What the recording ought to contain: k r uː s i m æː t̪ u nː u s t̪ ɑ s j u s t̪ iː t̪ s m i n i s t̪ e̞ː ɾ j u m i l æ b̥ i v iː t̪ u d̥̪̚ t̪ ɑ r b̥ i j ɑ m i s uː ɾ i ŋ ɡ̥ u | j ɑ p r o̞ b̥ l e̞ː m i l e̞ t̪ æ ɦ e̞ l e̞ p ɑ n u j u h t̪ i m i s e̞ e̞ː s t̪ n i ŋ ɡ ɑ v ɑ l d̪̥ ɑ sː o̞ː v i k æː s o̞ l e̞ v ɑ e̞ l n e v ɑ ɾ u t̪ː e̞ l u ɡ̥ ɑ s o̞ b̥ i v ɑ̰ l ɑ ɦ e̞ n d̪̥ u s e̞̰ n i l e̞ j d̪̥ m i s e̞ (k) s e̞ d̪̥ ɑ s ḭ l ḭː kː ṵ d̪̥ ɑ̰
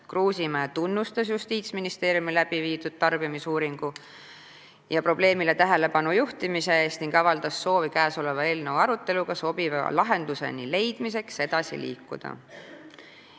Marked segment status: correct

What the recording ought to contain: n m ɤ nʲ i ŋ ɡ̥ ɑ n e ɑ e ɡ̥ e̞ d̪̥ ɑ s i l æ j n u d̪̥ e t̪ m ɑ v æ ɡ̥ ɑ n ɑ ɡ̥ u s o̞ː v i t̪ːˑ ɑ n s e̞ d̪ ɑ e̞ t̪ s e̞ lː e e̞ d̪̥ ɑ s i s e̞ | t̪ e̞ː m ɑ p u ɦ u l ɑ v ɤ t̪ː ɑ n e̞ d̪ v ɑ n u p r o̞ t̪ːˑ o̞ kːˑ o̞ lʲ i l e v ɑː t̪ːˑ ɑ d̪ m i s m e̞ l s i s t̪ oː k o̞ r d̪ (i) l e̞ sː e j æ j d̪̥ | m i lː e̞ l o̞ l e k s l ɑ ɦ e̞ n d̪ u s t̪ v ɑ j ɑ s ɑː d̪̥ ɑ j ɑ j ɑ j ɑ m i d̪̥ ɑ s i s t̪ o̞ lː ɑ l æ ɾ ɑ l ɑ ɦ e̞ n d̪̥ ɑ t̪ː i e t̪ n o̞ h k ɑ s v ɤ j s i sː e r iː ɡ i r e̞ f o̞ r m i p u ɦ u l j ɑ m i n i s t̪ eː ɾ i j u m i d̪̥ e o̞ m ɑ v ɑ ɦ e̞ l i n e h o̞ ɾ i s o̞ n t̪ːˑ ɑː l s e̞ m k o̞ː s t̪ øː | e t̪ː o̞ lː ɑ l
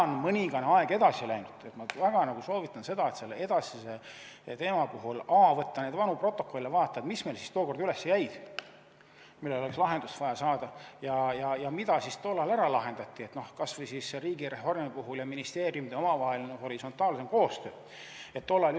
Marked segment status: incorrect: y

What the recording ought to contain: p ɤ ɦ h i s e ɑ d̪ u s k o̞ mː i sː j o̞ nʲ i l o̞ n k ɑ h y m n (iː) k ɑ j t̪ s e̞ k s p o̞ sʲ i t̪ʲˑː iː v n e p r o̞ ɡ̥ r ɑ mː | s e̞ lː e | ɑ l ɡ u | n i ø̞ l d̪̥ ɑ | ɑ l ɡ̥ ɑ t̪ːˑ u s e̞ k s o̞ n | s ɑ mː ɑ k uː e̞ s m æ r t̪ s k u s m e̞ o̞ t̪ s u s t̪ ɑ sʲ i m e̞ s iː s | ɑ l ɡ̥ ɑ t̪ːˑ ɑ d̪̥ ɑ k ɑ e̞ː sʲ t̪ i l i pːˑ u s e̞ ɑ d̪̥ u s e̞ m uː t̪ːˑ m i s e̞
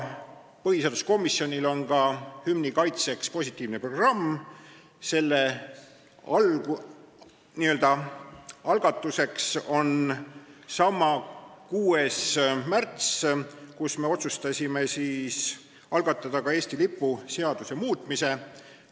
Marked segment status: incorrect: i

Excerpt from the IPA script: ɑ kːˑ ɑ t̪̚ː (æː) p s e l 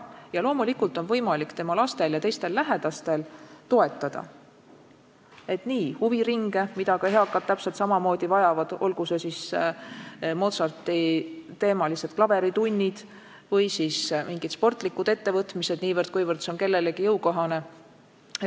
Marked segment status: incorrect: æ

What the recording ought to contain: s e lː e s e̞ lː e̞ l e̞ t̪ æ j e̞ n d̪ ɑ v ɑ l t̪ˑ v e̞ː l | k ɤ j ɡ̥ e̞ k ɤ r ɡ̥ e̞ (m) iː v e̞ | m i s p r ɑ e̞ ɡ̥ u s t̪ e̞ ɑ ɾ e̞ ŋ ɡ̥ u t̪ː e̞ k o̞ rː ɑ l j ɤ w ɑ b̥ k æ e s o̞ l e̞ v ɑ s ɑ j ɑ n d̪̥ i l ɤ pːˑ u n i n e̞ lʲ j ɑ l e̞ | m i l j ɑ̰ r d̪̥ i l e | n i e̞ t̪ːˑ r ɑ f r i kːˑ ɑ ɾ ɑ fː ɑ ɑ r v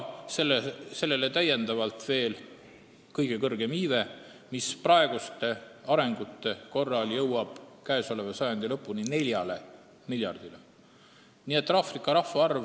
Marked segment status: correct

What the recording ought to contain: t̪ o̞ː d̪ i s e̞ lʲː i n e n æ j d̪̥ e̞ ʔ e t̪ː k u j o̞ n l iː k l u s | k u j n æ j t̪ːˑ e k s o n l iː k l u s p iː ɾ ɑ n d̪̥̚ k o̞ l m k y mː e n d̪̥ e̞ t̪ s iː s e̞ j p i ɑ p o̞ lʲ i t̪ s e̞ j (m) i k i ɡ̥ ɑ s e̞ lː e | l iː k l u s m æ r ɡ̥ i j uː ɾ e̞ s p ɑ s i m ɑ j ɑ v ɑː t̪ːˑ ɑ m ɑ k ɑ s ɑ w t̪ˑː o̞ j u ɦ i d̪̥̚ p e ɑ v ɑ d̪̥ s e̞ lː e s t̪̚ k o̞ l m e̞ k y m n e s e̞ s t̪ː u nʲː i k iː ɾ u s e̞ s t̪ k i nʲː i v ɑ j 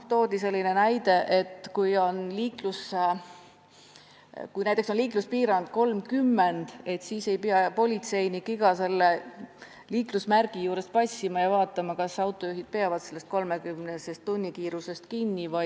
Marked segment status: incorrect: n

